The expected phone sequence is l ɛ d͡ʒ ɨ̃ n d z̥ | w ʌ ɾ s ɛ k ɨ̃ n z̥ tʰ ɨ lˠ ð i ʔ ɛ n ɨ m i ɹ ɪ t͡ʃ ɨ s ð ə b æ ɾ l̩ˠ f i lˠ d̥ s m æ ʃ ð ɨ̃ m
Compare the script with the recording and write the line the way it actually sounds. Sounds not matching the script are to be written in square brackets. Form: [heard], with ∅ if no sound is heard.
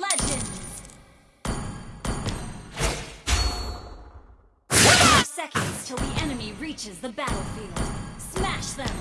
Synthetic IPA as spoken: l ɛ d͡ʒ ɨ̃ n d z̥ | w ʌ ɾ s ɛ k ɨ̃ n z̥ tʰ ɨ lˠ ð i ʔ ɛ n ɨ m i ɹ [i] t͡ʃ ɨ [z] ð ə b æ ɾ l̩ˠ f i lˠ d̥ s m æ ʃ ð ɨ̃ m